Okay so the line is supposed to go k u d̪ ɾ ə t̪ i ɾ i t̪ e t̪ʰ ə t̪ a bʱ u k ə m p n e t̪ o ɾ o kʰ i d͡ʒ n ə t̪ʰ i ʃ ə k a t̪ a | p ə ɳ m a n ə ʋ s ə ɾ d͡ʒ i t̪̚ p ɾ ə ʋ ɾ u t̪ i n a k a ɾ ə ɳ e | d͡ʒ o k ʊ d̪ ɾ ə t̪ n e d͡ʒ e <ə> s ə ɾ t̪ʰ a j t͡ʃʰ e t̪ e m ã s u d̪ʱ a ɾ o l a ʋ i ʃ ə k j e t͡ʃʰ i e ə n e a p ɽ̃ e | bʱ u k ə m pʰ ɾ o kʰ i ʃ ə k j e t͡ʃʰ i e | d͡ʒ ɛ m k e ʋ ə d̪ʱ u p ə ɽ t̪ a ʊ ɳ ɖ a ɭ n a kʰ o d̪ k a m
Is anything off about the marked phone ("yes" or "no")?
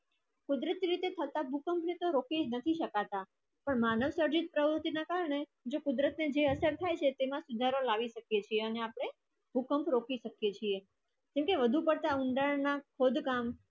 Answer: no